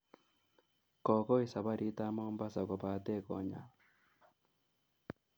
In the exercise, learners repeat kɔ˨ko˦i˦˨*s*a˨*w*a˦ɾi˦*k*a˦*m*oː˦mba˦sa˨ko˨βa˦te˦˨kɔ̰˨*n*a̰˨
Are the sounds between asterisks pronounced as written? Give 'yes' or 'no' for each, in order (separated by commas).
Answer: yes, no, no, yes, no